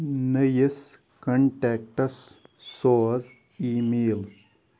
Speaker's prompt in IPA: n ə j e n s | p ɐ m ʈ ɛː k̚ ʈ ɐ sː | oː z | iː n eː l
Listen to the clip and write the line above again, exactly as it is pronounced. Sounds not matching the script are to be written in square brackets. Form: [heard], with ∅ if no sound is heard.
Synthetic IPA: n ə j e [∅] s | [k] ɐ [ɳ] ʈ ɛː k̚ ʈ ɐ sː | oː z | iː [m] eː l